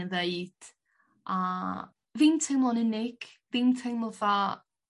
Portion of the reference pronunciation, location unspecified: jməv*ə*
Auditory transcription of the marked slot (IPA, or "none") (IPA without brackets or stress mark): a